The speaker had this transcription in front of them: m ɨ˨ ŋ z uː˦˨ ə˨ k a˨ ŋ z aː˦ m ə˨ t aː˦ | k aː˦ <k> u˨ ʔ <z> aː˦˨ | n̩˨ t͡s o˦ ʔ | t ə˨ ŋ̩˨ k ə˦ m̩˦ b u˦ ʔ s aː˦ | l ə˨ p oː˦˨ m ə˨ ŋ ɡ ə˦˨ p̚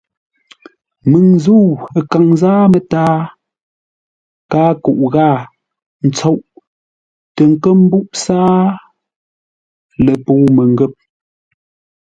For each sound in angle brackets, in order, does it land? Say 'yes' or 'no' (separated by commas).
yes, no